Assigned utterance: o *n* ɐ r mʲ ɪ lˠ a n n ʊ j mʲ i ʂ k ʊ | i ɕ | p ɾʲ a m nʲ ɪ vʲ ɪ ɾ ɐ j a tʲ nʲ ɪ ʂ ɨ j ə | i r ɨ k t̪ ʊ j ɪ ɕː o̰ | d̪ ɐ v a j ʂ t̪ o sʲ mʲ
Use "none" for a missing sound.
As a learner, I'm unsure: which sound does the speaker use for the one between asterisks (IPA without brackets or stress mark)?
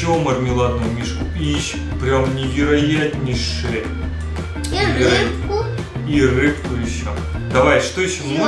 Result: m